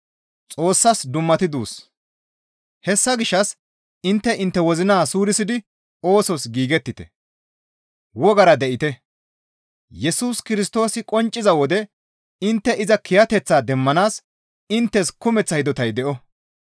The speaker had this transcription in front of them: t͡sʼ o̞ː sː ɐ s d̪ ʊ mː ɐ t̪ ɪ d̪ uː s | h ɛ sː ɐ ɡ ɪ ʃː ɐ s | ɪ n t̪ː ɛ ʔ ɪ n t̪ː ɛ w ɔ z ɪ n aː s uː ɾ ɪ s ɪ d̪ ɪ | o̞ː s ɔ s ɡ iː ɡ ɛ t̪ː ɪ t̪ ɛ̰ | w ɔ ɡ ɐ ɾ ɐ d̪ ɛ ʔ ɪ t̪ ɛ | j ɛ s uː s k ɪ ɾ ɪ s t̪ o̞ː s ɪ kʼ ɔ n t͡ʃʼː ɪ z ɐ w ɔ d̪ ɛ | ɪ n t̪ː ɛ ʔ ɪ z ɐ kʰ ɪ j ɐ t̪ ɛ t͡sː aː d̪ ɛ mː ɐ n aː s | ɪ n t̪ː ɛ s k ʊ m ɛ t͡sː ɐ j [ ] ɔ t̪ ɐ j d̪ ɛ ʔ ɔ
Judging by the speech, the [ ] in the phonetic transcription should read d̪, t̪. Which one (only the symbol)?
d̪